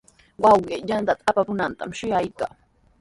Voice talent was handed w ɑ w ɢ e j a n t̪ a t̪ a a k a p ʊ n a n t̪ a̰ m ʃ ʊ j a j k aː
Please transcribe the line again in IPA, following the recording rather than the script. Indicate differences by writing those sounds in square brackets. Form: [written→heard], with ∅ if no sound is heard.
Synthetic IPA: w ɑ w ɢ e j a n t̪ a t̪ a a [k→p] a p ʊ n a n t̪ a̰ m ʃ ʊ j a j k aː